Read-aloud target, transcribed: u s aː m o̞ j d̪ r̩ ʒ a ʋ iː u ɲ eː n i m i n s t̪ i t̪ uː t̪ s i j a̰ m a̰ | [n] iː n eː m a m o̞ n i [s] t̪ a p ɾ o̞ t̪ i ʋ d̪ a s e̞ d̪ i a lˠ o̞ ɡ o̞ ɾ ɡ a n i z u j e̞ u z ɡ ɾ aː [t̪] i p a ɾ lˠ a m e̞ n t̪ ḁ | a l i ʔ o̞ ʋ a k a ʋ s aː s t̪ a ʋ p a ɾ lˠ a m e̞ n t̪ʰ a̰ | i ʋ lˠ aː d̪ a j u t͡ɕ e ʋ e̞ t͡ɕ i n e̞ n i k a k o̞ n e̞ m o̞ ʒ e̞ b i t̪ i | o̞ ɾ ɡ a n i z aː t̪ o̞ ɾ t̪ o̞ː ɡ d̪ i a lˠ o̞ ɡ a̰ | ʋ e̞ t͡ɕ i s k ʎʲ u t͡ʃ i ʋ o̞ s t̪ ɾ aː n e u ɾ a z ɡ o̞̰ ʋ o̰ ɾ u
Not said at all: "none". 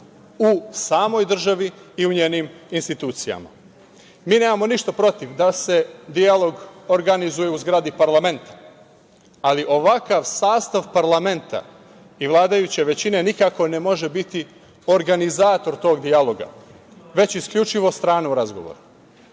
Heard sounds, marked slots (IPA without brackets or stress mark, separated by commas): m, ʃ, d̪